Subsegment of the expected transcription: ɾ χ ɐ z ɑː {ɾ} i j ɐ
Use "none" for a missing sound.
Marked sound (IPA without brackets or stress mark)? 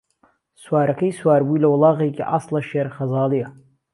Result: l